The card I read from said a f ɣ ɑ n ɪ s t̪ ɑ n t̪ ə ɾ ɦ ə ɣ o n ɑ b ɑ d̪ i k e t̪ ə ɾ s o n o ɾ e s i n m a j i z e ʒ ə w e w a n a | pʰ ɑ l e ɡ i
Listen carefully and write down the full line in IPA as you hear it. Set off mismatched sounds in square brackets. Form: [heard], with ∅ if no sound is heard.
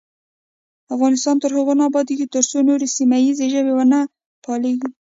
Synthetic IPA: a f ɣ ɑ n ɪ s t̪ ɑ n t̪ ə ɾ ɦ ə ɣ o n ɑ b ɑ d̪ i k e t̪ ə ɾ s o n o ɾ e s i [∅] m a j i z e ʒ ə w e w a n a | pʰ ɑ l e ɡ i